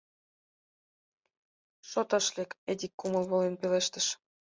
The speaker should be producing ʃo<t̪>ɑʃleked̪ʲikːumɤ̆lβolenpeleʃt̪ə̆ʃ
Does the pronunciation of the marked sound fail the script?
no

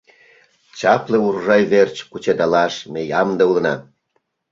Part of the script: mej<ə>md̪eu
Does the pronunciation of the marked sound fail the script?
yes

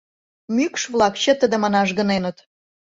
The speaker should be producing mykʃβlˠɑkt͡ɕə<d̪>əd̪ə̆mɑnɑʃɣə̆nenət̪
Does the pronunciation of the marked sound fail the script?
yes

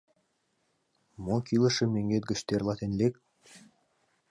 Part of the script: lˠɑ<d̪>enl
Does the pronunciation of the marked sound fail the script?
yes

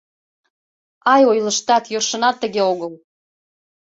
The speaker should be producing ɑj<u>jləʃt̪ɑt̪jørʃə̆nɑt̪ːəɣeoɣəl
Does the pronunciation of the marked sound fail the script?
yes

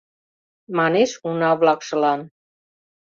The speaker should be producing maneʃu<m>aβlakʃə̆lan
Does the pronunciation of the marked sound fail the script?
yes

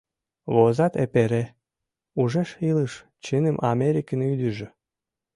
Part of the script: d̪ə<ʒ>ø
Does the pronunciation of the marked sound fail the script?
no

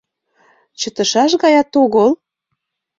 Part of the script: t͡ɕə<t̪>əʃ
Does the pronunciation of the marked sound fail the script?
no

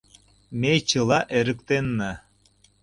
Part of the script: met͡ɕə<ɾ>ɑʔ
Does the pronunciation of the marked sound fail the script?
yes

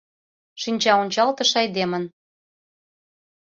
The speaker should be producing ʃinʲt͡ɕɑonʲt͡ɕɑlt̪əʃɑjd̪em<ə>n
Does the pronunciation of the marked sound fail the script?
no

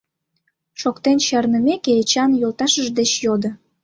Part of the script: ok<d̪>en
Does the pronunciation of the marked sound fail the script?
yes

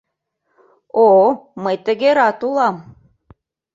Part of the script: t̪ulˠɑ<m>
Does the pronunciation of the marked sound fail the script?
no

